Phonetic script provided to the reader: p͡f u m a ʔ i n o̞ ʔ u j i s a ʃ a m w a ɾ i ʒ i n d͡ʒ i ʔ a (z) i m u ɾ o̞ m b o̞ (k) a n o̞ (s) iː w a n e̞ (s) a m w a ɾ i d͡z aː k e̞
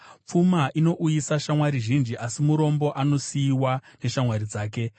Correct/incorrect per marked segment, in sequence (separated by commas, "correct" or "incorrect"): incorrect, incorrect, correct, incorrect